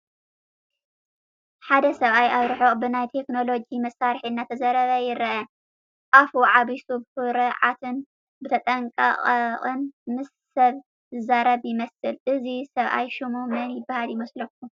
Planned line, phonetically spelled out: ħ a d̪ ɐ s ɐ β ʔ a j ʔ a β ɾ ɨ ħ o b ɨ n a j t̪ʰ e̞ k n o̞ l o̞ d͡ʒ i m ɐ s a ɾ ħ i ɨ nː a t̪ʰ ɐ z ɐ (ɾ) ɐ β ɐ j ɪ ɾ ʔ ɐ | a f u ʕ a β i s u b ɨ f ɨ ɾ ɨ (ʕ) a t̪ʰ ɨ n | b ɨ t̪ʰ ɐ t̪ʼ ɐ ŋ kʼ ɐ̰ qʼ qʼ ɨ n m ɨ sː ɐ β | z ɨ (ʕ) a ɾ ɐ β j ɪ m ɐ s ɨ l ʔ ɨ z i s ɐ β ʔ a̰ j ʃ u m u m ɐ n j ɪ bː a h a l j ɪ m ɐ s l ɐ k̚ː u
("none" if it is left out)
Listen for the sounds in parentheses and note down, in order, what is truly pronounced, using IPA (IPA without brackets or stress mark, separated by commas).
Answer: ɾ, ʕ, z